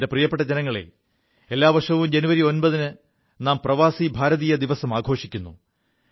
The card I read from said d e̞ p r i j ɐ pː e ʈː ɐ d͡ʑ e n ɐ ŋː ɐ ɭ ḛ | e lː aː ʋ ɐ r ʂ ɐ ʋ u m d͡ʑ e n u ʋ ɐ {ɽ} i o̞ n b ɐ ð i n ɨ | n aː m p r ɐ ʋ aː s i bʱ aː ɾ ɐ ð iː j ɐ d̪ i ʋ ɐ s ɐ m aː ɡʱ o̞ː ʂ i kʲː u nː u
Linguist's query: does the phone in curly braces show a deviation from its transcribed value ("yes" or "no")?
yes